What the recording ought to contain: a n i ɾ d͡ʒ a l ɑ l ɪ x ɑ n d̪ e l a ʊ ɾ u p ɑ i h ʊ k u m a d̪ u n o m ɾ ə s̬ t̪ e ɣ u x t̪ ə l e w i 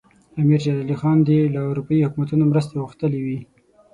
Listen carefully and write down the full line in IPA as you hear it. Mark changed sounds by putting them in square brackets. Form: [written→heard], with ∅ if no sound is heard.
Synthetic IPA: a [n→m] i ɾ d͡ʒ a l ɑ l [ɪ→i] x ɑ n d̪ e l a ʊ ɾ u p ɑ i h ʊ k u m a [d̪→t̪] u n o m ɾ ə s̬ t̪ e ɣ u x t̪ ə l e w i